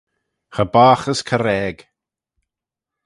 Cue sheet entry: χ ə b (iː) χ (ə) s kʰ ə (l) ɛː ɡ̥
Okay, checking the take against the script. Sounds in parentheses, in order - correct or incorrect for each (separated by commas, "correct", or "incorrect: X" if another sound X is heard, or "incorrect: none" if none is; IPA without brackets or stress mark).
incorrect: aː, correct, incorrect: ɾ